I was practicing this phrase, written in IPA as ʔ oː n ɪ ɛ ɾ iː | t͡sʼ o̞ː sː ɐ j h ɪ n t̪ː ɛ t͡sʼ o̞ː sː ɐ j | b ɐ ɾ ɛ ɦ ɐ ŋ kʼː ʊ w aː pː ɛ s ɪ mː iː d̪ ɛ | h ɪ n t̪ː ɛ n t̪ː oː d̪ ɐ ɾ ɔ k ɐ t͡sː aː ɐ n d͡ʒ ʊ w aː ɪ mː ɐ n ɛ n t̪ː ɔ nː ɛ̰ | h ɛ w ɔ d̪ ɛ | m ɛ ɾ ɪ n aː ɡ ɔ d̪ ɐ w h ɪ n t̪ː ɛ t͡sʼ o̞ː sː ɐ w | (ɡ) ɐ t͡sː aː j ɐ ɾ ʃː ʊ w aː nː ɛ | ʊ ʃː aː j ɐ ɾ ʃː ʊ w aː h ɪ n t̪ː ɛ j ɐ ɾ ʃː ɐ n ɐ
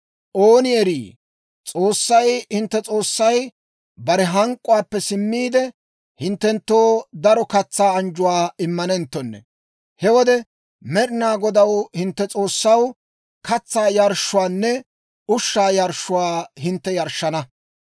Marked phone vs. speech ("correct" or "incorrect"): incorrect